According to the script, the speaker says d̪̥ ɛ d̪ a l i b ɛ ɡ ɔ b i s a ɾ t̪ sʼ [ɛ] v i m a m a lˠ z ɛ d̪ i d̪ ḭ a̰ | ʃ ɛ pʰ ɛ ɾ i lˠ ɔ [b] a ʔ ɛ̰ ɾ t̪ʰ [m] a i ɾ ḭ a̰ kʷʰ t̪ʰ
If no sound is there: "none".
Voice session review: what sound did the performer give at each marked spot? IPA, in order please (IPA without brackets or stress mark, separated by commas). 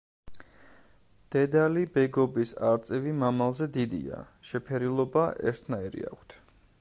ɛ, b, n